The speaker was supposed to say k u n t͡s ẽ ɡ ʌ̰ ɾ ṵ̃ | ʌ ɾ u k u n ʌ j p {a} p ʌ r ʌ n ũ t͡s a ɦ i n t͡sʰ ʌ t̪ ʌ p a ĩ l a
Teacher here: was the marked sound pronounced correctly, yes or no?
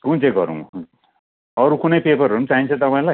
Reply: no